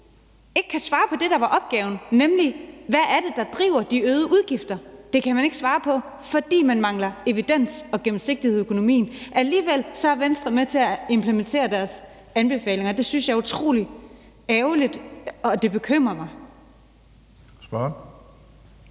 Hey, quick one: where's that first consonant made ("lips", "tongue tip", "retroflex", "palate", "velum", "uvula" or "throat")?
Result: velum